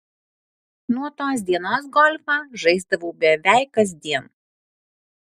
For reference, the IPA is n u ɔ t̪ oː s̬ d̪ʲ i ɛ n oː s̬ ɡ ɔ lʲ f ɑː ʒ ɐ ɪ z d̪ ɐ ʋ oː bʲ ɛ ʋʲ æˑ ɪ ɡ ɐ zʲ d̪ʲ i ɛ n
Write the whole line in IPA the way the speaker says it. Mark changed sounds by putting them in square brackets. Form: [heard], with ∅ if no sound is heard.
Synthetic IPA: n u ɔ t̪ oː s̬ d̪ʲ i ɛ n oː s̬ ɡ ɔ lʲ f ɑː ʒ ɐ ɪ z d̪ ɐ ʋ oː bʲ ɛ ʋʲ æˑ ɪ [k] ɐ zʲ d̪ʲ i ɛ n